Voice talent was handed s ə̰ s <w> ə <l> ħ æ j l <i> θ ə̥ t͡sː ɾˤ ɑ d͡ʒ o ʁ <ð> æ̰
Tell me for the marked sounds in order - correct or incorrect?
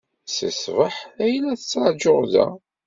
incorrect: v, incorrect: none, incorrect: æ, correct

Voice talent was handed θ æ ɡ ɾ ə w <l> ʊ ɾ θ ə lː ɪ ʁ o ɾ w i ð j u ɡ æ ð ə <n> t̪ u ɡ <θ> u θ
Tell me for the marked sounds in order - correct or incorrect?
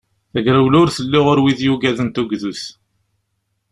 correct, correct, incorrect: ð

